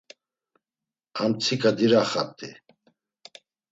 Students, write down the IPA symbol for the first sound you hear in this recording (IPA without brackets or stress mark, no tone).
a